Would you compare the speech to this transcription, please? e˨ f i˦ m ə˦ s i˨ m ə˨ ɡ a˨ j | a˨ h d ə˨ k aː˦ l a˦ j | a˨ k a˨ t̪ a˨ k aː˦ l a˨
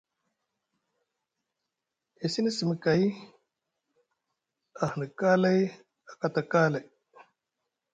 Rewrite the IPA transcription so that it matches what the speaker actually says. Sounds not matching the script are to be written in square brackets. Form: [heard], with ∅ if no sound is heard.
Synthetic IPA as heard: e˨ [s] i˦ [n] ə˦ s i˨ m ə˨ [k] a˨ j | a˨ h [n] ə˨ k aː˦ l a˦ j | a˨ k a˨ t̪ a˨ k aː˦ l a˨